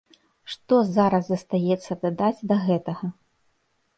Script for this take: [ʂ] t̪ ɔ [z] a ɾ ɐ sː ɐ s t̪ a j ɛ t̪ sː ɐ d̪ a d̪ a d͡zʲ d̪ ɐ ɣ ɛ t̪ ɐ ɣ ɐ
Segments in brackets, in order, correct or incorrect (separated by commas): correct, correct